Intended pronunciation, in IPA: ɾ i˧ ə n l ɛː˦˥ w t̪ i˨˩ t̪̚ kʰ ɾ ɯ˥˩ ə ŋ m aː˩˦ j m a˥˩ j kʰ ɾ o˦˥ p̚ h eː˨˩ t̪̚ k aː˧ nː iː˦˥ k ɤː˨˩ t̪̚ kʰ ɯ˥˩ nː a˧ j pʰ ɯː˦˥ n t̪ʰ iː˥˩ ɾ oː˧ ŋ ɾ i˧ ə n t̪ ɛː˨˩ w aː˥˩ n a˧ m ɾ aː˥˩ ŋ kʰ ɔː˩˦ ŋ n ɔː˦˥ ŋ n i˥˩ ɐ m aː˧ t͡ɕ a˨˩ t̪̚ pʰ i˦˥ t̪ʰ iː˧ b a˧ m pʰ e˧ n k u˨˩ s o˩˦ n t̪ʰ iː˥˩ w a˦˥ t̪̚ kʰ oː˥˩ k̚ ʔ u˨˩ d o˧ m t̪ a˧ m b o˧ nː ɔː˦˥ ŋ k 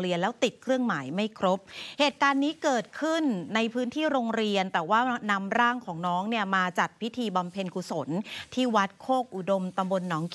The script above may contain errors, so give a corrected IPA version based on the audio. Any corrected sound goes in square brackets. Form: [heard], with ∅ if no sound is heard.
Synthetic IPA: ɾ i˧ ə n l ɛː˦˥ w t̪ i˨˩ t̪̚ kʰ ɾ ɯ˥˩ ə ŋ m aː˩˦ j m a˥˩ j kʰ ɾ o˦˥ p̚ h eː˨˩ t̪̚ k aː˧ nː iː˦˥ k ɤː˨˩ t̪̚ kʰ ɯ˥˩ nː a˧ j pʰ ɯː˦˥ n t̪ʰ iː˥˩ ɾ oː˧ ŋ ɾ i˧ ə n t̪ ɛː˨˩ w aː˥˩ n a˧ m ɾ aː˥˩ ŋ kʰ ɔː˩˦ ŋ n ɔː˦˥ ŋ n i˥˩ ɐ m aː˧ t͡ɕ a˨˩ t̪̚ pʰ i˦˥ t̪ʰ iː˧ b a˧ m pʰ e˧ n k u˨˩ s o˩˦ n t̪ʰ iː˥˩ w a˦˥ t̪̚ kʰ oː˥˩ k̚ ʔ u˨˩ d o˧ m t̪ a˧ m b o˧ nː ɔː˦˥ ŋ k